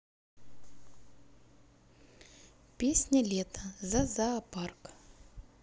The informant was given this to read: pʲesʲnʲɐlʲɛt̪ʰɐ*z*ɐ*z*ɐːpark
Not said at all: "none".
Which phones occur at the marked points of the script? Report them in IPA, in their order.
z, z

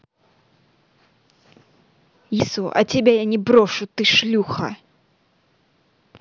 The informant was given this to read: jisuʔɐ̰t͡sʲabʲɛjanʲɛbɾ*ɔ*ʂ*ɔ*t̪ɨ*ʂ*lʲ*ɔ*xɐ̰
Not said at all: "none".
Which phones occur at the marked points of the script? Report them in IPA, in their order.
ɔ, u, ʂ, u

